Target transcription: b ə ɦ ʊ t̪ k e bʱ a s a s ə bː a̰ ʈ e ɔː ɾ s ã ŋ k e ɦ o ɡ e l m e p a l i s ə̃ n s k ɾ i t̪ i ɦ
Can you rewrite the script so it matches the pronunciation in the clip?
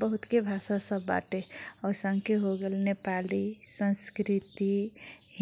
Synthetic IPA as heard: b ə ɦ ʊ t̪ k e bʱ a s a s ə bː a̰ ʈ e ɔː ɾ s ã ŋ k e ɦ o ɡ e l n e p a l i s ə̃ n s k ɾ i t̪ i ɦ